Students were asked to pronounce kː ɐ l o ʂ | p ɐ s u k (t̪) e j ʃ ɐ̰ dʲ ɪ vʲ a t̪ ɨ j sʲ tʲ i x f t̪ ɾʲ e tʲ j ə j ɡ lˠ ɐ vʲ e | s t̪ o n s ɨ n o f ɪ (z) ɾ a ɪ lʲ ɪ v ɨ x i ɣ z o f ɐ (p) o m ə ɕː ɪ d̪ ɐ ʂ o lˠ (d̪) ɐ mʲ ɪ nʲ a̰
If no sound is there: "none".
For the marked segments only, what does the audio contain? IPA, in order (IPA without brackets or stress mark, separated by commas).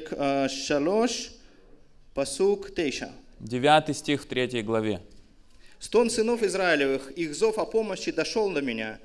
t̪, z, p, d̪